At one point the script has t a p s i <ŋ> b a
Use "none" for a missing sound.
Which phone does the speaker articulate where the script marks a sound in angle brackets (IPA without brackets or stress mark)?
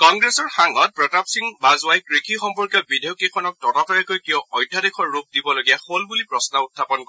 ŋ